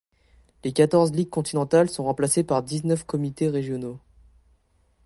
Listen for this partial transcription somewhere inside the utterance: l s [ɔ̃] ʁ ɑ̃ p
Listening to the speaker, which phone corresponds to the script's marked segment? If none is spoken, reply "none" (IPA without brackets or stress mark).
ɔ̃